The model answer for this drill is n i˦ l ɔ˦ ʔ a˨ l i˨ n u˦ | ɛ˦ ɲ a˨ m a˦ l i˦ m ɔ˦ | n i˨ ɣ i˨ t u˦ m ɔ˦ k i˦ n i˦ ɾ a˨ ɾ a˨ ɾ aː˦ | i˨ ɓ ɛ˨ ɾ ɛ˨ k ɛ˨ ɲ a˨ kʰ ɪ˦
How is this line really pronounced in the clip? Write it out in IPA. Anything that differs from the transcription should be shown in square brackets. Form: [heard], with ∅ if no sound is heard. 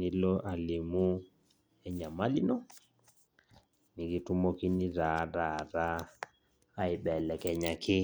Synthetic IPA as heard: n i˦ l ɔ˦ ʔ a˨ l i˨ [m] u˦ | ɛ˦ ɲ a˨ m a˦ l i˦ [n] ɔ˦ | n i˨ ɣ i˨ t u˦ m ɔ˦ k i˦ n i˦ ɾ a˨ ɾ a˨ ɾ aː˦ | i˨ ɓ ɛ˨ [l] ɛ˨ k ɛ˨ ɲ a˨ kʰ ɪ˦

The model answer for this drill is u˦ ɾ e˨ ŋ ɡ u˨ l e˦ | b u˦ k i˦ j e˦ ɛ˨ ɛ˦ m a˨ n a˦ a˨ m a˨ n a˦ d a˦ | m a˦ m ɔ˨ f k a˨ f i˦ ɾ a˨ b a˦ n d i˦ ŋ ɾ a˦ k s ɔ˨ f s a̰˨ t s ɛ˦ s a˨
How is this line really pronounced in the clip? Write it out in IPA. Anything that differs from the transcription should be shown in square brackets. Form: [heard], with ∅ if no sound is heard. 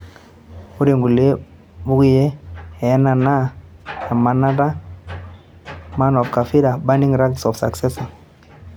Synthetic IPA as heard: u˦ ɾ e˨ ŋ ɡ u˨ l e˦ | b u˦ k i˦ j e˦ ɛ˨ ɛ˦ [n] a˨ n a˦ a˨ m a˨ n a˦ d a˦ | m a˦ [n] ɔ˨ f k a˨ f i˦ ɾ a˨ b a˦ n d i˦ ŋ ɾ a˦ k s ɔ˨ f s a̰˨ [k] s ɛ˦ s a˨

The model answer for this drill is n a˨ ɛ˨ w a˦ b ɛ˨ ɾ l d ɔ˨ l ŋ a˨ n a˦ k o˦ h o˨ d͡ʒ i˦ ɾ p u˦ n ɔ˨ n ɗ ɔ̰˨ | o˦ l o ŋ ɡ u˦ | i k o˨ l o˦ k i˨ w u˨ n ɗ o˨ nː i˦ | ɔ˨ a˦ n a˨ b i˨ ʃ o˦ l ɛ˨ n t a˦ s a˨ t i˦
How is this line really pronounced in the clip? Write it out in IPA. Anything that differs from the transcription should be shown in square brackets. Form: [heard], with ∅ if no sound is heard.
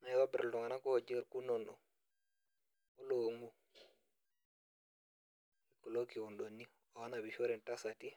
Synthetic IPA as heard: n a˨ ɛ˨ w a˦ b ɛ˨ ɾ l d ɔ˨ [∅] ŋ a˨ n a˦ k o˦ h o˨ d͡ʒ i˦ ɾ [k] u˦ n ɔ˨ n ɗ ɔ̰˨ | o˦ l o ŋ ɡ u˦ | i k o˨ l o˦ k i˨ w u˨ n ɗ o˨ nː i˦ | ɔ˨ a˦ n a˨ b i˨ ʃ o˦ [ɾ] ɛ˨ n t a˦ s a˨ t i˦

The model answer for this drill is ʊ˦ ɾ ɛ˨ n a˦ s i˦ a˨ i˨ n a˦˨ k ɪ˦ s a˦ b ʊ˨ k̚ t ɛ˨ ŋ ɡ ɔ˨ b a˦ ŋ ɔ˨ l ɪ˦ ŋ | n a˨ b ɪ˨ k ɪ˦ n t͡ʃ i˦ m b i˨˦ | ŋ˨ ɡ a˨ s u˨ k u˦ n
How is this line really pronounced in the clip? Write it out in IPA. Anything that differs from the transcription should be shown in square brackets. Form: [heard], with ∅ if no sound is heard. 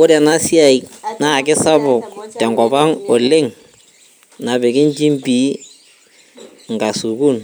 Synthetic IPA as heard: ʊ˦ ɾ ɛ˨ n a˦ s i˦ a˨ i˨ n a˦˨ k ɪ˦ s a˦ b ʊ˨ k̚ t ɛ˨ ŋ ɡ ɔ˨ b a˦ ŋ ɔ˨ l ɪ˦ ŋ | n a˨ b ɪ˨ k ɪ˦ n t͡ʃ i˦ m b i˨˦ | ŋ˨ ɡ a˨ s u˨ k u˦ n

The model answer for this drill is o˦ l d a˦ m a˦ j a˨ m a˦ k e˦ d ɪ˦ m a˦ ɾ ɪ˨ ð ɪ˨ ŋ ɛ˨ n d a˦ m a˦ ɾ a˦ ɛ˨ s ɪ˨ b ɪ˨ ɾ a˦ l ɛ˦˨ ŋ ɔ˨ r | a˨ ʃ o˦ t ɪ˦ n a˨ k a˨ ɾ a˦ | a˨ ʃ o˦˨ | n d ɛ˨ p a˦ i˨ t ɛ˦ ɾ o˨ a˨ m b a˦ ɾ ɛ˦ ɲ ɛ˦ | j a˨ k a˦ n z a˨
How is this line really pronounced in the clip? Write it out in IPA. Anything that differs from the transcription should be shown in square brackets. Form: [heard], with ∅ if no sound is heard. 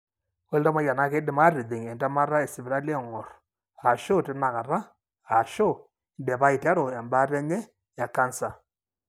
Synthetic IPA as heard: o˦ l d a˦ m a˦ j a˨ [n] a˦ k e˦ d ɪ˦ m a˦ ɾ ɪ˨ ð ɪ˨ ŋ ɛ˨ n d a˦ m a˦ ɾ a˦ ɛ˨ s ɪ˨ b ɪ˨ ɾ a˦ l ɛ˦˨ ŋ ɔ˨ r | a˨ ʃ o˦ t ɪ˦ n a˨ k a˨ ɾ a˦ | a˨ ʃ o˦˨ | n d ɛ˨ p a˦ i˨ t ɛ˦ ɾ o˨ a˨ m b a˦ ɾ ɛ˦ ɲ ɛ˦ | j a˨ k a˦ n [s] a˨

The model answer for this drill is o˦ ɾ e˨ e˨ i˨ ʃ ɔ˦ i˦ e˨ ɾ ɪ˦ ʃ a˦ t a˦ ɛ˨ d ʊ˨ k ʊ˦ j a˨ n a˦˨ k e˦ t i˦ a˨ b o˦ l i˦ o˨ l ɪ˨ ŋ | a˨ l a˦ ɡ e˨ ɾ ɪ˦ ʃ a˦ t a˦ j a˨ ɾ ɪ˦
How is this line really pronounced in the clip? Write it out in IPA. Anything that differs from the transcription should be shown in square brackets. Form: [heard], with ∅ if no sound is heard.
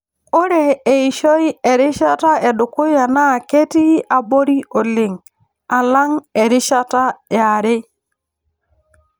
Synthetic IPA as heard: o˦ ɾ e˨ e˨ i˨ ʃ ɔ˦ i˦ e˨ ɾ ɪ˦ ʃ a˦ t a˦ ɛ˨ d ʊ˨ k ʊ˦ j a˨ n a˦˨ k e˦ t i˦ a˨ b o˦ [ɾ] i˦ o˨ l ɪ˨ ŋ | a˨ l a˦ [ŋ] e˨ ɾ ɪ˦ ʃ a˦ t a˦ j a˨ ɾ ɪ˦

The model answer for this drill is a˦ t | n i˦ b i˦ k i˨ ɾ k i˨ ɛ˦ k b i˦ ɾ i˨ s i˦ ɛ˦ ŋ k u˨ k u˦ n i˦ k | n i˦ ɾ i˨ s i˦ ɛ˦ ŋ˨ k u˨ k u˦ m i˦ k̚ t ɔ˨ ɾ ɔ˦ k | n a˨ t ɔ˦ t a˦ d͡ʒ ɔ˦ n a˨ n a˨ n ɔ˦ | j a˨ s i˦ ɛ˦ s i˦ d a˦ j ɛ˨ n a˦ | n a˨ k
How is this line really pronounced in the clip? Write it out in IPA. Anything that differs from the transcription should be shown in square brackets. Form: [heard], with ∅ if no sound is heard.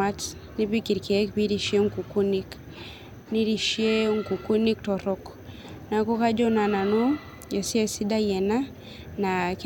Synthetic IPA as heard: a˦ t | n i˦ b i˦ k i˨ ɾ k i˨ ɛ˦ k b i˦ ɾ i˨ [ʃ] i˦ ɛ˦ ŋ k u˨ k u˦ n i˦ k | n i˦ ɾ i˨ [ʃ] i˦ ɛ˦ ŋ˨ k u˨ k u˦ [n] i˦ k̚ t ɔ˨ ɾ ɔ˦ k | n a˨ [k] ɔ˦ [k] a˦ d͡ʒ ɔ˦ n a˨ n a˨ n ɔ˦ | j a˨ s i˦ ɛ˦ s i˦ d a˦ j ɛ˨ n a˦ | n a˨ k

